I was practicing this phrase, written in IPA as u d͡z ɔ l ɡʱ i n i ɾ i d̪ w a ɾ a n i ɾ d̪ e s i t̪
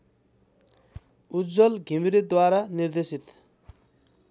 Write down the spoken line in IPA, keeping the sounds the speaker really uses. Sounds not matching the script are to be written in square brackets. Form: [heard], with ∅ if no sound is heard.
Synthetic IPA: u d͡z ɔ l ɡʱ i [m] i ɾ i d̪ w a ɾ a n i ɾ d̪ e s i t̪